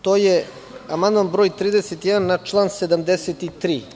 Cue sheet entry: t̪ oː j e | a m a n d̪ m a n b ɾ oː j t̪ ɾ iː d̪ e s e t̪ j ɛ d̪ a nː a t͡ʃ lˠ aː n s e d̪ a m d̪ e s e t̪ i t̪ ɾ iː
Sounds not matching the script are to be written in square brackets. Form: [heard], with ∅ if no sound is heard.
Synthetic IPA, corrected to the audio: t̪ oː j e | a m a n d̪ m a n b ɾ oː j t̪ ɾ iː d̪ e s e t̪ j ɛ d̪ a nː a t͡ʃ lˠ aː n s e d̪ a m d̪ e s e t̪ i t̪ ɾ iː